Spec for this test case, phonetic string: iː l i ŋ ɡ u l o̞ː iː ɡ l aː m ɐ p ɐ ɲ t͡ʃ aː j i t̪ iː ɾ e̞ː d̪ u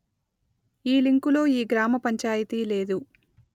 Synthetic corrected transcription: iː l i ŋ k u l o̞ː iː ɡ ɾ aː m ɐ p ɐ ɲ t͡ʃ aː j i t̪ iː l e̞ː d̪ u

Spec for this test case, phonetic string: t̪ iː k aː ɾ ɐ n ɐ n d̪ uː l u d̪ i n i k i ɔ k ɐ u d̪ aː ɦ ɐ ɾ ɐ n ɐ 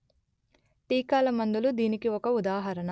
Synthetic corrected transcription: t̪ iː k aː l ɐ m ɐ n d̪ u l u d̪ iː n i k i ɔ k ɐ u d̪ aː ɦ ɐ ɾ ɐ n ɐ

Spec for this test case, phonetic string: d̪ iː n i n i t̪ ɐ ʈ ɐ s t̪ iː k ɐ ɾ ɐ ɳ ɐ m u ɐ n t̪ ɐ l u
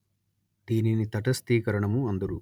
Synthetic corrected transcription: d̪ iː n i n i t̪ ɐ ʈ ɐ s t̪ iː k ɐ ɾ ɐ ɳ ɐ m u ɐ n d̪ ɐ ɾ u

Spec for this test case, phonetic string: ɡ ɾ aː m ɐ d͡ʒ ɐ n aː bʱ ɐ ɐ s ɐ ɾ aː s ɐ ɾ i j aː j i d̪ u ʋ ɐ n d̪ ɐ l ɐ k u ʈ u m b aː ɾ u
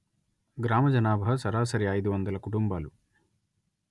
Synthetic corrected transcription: ɡ ɾ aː m ɐ d͡ʒ ɐ n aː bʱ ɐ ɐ s ɐ ɾ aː s ɐ ɾ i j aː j i d̪ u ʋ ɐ n d̪ ɐ l ɐ k u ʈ u m b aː l u

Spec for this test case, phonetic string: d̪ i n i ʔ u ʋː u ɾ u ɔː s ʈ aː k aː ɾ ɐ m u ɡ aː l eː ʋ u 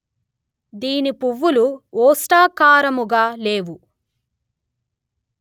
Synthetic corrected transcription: d̪ iː n i p u ʋː u l u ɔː s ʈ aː k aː ɾ ɐ m u ɡ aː l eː ʋ u

